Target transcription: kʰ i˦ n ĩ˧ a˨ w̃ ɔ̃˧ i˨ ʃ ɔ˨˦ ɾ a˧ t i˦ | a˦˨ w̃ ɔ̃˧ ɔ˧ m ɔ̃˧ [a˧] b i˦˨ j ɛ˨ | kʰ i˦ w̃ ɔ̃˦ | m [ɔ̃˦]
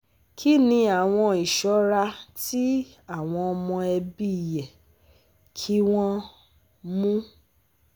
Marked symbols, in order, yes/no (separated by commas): no, no